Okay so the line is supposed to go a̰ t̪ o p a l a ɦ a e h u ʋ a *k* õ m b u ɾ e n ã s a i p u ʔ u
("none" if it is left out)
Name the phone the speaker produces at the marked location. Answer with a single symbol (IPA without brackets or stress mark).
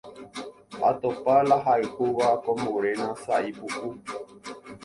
k